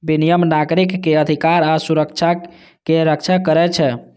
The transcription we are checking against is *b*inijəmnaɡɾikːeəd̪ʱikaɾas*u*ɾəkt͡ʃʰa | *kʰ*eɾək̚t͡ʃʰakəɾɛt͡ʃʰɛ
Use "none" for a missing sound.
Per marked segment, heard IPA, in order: b, u, k

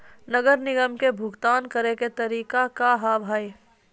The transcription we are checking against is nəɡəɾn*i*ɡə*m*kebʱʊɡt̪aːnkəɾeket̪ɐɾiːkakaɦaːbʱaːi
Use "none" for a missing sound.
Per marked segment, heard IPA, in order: ɪ, m

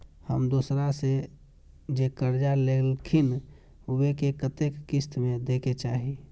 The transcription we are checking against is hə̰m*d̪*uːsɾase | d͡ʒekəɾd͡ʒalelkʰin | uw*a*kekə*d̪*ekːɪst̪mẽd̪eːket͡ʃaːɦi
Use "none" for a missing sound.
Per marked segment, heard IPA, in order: d̪, e, t̪

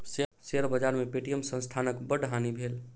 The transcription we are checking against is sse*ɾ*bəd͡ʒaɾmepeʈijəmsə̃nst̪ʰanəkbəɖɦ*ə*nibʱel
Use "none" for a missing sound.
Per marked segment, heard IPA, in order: ɾ, a

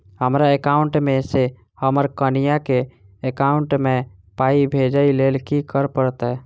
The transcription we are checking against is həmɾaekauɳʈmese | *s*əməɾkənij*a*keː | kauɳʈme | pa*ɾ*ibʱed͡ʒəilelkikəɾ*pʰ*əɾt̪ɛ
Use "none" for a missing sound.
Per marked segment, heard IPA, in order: h, a, none, p

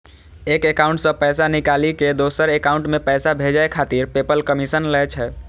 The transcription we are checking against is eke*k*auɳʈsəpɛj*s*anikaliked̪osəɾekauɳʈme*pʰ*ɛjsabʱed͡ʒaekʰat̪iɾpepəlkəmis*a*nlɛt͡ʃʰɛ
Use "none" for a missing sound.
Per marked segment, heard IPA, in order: k, s, p, ə

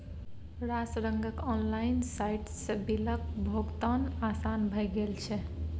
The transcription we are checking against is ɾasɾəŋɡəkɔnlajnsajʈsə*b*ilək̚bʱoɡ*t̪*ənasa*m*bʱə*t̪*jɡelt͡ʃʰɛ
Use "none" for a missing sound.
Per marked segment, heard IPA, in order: b, t̪, n, none

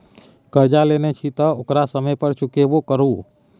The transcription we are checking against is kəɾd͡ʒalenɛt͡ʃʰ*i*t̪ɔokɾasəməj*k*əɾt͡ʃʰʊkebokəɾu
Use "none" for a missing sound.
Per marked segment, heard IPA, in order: i, p

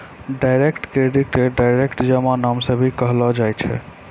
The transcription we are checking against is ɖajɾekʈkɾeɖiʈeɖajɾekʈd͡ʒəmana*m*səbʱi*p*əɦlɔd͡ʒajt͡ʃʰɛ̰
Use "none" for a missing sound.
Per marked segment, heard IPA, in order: m, k

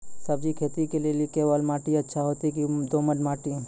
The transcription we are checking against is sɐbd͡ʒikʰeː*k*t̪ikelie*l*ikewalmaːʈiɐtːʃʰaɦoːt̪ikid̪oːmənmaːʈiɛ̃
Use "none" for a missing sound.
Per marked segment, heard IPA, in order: none, l

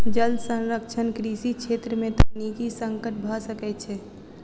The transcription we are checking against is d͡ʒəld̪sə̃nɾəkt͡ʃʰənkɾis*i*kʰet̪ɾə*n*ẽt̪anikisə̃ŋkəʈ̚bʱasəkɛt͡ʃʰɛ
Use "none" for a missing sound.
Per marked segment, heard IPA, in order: i, m

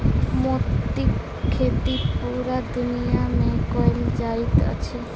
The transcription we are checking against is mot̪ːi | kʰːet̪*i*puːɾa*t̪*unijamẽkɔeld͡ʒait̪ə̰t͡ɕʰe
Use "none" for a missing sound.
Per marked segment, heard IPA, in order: i, d̪

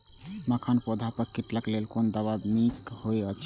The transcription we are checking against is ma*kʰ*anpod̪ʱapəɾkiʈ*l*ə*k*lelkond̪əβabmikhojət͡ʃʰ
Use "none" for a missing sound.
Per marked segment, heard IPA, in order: kʰ, l, k

